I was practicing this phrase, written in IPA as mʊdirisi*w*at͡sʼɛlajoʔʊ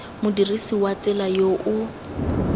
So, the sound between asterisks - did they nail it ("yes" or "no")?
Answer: yes